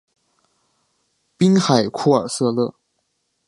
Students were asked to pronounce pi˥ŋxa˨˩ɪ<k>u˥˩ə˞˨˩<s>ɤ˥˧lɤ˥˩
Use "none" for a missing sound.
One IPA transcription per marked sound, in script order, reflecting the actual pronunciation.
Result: kʰ, s

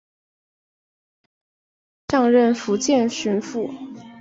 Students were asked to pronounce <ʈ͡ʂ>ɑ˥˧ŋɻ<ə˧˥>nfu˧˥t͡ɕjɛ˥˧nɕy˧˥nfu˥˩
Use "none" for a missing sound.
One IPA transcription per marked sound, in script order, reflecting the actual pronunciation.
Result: ʈ͡ʂ, ə˥˩

